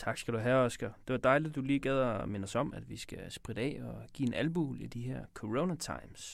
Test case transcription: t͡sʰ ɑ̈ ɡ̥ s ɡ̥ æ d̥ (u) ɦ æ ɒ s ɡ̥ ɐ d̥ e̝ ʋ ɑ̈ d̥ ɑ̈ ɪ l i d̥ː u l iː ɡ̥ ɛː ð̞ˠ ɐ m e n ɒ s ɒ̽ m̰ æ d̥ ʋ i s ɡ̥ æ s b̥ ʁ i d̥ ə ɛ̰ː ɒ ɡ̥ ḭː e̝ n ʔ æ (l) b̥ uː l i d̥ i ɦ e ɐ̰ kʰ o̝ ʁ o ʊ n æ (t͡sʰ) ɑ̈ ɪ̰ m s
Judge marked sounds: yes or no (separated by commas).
yes, yes, yes